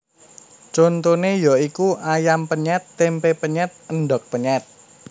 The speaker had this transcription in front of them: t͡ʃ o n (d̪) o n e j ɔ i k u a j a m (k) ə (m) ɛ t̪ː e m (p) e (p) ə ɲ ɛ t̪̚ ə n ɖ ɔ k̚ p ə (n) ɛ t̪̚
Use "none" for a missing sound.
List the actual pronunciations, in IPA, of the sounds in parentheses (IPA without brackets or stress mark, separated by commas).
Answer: t̪, p, ɲ, p, p, ɲ